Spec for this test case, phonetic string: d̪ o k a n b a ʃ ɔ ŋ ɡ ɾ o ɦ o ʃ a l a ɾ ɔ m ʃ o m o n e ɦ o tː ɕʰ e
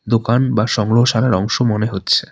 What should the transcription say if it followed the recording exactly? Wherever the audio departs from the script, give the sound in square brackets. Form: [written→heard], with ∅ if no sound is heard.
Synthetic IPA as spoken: d̪ o k a n b a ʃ ɔ ŋ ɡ ɾ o ɦ o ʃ a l a ɾ ɔ [m→ŋ] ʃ o m o n e ɦ o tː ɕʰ e